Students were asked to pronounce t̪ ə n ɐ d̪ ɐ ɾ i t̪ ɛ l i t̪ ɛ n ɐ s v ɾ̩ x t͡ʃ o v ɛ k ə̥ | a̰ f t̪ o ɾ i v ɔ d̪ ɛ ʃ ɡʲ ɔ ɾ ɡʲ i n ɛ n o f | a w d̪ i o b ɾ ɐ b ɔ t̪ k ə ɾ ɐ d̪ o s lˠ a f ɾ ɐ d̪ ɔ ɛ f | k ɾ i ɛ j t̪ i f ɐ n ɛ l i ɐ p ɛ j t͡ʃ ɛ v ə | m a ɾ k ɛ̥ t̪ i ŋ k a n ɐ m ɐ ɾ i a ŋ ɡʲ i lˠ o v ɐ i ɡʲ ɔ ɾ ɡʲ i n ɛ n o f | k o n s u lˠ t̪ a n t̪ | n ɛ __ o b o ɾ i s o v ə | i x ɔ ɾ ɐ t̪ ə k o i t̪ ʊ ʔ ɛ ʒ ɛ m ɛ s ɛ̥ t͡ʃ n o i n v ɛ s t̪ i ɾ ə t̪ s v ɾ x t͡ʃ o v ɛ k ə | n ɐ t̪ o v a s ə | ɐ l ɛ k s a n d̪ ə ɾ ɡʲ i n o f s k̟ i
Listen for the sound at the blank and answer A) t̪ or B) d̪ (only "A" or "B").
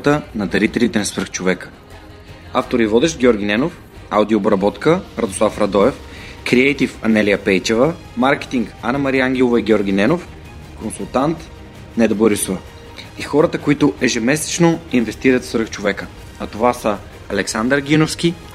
B